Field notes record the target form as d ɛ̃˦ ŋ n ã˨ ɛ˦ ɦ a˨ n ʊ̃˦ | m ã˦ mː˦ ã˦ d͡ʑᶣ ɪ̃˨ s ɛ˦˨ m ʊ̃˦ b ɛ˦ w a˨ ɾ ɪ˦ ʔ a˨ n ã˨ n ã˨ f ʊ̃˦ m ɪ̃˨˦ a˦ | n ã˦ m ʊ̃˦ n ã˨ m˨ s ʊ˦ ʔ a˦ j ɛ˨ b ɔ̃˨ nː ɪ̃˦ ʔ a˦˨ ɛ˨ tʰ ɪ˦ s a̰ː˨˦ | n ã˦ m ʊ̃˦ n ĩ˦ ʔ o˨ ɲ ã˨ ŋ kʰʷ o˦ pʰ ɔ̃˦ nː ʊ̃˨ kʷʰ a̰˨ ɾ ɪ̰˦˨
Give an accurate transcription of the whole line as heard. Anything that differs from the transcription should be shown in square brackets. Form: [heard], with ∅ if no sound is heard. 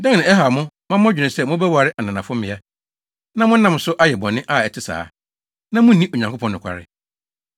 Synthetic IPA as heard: d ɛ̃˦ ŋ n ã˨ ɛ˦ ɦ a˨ [m] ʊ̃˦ | m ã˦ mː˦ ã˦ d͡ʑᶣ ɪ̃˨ s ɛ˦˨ m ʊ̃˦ b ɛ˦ w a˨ ɾ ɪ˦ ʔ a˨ n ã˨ n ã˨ f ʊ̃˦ m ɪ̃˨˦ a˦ | n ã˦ m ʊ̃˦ n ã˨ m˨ s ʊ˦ ʔ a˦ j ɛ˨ b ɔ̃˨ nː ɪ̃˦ ʔ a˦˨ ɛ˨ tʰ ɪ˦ s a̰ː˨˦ | n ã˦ m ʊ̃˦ n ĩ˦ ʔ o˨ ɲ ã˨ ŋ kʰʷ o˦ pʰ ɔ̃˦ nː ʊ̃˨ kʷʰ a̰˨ ɾ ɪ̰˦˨